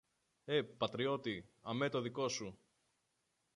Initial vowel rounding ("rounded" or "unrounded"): unrounded